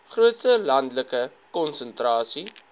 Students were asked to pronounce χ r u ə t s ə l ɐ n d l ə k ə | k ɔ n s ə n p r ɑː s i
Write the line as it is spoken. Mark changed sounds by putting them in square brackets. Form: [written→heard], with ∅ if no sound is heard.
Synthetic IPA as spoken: χ r u ə t s ə l ɐ n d l ə k ə | k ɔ n s ə n [p→t] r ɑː s i